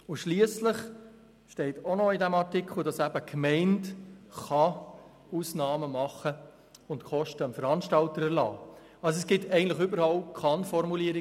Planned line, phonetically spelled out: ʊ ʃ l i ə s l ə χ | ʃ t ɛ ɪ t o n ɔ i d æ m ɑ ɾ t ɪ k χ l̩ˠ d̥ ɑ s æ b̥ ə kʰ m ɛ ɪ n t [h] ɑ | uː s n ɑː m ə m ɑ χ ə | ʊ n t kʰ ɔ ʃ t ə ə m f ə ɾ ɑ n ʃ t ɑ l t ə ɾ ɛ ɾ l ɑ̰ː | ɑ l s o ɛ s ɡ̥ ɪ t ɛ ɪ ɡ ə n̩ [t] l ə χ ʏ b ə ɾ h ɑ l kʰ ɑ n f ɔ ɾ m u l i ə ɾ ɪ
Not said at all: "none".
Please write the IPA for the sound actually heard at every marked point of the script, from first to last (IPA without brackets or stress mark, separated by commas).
χ, t